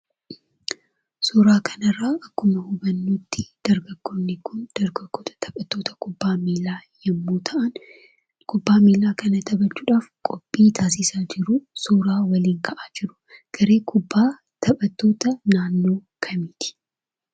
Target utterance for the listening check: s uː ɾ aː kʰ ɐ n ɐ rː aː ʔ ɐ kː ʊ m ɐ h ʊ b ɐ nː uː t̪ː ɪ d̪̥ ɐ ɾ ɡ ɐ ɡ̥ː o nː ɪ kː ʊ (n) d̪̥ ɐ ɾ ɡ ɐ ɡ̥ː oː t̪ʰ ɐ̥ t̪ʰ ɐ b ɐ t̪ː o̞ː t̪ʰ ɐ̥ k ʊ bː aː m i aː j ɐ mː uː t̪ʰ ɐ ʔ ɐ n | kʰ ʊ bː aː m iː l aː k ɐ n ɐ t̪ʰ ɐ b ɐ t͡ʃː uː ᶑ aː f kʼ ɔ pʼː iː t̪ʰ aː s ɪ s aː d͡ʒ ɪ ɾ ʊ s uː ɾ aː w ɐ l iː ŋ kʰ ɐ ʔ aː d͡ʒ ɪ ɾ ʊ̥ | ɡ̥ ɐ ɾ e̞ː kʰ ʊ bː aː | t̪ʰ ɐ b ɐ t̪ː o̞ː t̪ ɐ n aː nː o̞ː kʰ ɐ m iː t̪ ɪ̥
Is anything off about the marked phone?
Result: no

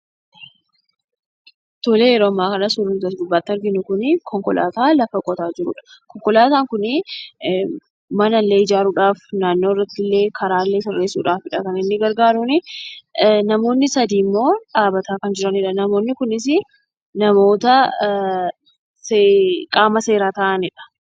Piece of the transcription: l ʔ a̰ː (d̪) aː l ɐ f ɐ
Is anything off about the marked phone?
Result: yes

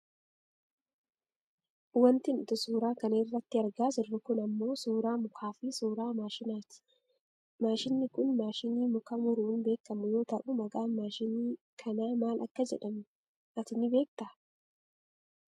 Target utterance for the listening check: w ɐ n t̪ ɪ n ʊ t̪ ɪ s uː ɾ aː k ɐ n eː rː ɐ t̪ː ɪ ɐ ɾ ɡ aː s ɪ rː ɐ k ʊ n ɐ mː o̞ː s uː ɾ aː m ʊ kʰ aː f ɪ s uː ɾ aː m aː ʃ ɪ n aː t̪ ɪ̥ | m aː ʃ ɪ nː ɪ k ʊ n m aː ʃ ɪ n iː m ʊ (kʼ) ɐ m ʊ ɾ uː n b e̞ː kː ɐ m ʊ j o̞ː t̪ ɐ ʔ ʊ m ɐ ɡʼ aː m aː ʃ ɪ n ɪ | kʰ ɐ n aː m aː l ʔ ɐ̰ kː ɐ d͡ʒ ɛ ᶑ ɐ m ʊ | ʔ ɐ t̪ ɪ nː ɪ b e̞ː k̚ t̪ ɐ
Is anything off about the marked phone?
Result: yes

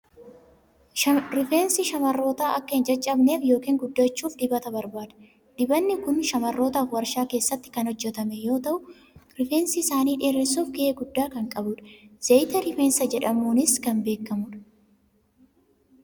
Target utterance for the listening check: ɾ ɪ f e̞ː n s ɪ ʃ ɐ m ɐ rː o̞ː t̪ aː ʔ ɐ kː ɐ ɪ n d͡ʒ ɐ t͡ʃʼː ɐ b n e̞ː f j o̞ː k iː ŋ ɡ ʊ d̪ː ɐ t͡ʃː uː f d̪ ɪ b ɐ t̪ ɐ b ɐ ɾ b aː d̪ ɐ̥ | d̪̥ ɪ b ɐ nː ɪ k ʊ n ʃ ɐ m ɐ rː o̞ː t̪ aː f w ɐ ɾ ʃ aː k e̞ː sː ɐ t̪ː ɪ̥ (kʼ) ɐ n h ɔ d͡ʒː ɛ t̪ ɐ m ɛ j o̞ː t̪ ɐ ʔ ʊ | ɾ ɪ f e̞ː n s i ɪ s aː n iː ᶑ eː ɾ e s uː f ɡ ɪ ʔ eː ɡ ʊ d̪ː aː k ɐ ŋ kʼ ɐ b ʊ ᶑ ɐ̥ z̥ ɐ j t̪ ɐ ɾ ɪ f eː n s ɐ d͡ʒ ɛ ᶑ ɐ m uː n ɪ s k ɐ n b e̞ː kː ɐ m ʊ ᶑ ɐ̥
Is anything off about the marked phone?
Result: yes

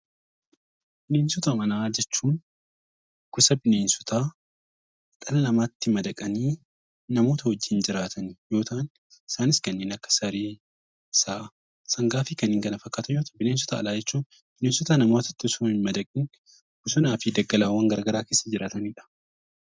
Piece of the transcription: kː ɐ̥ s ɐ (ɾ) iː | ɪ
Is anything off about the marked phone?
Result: no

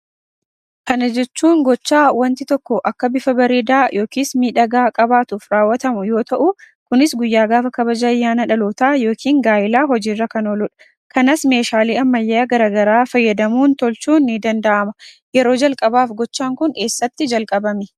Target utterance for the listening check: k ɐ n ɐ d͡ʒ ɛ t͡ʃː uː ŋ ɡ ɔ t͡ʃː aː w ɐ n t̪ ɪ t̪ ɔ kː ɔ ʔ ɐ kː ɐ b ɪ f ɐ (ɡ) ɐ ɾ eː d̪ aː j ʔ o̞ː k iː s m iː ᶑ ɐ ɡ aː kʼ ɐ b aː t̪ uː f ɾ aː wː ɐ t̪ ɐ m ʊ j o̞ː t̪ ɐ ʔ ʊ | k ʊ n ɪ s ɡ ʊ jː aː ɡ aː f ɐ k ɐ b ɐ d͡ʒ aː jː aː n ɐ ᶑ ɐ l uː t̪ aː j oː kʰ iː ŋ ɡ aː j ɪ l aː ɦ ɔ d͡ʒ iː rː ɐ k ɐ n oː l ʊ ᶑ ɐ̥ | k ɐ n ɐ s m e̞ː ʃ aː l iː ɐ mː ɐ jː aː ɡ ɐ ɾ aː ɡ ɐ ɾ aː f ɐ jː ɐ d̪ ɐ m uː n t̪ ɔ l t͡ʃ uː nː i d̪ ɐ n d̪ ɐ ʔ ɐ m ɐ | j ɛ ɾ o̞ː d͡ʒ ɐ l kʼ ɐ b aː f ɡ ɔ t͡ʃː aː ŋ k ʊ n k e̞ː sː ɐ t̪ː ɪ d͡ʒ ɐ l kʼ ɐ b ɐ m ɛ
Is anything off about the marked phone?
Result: yes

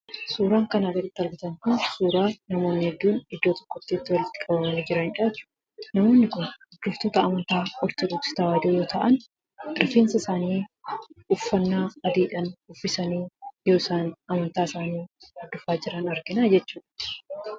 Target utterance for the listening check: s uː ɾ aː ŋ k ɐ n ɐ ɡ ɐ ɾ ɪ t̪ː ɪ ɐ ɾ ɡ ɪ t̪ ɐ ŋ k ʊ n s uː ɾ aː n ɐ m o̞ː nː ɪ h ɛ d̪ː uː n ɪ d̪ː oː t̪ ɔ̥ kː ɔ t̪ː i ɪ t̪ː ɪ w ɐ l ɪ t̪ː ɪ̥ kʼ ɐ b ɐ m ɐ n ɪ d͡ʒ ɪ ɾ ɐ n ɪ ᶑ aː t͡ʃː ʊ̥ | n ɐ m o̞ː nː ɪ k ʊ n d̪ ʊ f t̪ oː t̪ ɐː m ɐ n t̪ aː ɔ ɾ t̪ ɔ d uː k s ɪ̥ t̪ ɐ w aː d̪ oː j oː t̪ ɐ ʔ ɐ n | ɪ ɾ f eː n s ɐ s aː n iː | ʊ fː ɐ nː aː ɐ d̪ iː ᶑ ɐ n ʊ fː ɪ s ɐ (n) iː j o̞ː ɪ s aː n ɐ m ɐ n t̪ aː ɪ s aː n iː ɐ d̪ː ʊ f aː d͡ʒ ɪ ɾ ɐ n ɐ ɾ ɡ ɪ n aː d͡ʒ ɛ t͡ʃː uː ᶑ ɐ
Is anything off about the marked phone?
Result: no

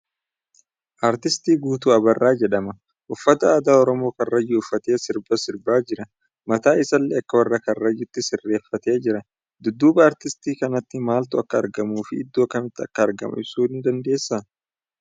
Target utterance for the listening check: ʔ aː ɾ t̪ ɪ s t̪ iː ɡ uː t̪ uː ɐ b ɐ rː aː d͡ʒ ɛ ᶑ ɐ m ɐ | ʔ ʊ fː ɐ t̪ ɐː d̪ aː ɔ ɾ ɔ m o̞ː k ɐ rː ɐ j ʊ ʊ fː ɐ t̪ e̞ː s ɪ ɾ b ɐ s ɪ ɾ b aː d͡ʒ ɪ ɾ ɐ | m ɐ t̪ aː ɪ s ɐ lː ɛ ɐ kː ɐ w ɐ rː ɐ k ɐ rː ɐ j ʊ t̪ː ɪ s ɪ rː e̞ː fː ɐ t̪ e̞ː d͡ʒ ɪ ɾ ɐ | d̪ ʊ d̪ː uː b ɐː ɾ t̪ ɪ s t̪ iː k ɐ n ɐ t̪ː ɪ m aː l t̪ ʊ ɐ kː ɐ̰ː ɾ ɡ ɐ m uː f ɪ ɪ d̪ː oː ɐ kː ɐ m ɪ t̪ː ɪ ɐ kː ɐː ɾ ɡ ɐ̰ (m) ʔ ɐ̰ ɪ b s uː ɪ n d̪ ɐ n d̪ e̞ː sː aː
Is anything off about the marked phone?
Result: no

